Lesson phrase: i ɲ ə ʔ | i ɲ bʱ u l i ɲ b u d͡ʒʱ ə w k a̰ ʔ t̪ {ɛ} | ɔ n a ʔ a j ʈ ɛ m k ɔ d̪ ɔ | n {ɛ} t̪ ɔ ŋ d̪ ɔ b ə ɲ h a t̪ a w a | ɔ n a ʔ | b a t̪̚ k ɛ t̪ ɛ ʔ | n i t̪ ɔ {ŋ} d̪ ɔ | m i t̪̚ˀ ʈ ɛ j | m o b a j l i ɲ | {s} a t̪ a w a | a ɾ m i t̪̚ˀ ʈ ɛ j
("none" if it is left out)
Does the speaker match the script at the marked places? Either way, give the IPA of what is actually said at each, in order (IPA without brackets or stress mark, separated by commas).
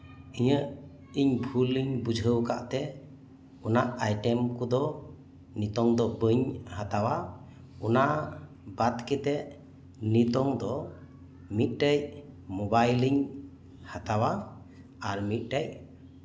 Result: ɛ, i, ŋ, h